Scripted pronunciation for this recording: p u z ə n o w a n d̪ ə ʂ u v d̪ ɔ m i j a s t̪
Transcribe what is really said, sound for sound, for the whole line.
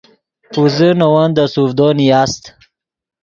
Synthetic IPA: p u z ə n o w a n d̪ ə s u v d̪ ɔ n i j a s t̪